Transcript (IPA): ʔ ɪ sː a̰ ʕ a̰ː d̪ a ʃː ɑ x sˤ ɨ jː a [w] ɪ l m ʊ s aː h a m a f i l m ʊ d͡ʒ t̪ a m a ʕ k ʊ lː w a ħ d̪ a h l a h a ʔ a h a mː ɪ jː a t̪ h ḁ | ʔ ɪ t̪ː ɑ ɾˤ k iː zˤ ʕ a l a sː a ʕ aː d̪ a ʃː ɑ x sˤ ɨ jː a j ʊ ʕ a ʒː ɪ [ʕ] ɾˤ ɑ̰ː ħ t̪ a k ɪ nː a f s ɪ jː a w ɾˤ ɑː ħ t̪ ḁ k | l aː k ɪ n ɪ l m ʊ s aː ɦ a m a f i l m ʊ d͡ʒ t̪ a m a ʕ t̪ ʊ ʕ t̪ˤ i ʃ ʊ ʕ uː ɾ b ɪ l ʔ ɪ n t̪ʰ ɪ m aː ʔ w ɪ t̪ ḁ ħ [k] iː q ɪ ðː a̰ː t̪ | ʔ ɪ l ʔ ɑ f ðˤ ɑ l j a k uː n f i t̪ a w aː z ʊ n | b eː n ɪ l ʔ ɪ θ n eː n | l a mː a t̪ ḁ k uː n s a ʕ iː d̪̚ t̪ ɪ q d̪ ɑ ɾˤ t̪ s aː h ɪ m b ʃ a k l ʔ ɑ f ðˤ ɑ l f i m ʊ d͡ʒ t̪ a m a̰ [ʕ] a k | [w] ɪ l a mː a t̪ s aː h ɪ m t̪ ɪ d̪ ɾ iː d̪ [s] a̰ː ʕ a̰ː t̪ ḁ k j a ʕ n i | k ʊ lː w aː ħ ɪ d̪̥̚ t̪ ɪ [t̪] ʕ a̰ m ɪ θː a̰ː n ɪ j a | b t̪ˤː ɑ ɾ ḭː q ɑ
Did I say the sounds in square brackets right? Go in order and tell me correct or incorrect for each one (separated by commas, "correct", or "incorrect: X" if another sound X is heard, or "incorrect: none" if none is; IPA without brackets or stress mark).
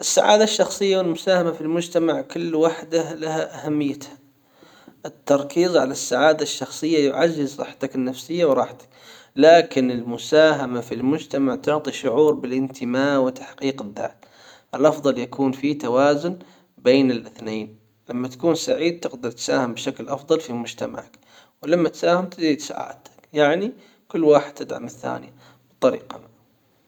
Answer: correct, incorrect: z, incorrect: q, correct, correct, correct, incorrect: d̪